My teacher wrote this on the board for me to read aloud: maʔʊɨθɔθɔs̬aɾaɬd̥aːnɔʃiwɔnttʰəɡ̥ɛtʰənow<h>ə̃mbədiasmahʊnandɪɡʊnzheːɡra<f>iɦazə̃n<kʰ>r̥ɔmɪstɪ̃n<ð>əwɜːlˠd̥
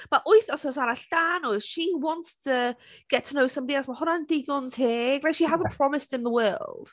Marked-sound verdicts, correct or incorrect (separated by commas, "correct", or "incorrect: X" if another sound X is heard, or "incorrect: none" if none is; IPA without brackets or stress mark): incorrect: s, incorrect: ʃ, incorrect: pʰ, correct